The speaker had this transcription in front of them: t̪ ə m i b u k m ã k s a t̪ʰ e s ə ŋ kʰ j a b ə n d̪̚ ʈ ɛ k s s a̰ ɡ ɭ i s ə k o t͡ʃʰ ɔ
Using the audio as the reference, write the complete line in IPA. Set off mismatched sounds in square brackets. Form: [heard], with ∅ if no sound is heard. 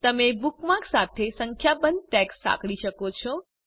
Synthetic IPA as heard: t̪ ə m [e] b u k m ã k s a t̪ʰ e s ə ŋ kʰ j a b ə n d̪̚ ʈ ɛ k s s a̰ [k] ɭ i [ʃ] ə k o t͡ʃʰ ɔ